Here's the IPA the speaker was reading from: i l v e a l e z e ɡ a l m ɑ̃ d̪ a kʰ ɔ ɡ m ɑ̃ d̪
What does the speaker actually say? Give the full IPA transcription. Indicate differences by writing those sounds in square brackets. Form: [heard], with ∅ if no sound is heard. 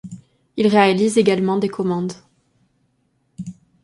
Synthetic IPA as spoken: i l [ʁ] e a l [i] z e ɡ a l m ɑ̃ d̪ [e] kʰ ɔ [∅] m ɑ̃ d̪

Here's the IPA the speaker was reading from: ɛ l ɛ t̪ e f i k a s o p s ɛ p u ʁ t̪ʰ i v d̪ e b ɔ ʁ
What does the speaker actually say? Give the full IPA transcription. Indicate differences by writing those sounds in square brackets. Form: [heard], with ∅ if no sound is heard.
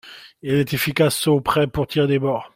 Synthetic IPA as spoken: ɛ l ɛ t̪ e f i k a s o p [χ] ɛ p u ʁ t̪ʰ i [ʁ] d̪ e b ɔ ʁ

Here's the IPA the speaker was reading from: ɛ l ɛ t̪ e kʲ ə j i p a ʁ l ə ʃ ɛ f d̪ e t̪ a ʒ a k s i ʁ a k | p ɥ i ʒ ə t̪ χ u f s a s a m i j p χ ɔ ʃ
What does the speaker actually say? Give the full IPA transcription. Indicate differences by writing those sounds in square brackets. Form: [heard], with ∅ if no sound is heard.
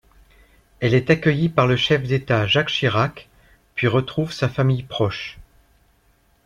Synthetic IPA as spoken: ɛ l ɛ t̪ [a] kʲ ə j i p a ʁ l ə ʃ ɛ f d̪ e t̪ a ʒ a k [ʃ] i ʁ a k | p ɥ i [ʁ] ə t̪ χ u [v] s a [f] a m i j p χ ɔ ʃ

